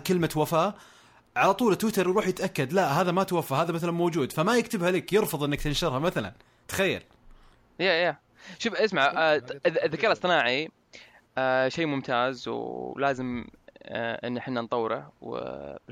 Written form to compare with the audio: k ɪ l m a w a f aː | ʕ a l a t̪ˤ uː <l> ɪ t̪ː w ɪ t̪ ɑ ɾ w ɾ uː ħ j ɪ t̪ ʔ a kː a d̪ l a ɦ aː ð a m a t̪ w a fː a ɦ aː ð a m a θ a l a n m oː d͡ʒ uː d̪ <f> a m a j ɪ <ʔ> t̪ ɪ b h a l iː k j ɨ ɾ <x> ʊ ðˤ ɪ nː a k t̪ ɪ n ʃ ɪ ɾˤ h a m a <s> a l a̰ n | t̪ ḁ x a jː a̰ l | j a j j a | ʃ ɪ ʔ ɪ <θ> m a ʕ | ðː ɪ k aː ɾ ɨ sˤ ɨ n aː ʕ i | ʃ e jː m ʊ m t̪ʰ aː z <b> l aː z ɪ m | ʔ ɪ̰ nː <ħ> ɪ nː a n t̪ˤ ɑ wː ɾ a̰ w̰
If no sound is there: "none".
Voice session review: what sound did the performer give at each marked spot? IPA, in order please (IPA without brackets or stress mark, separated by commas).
l, f, k, f, θ, s, w, ħ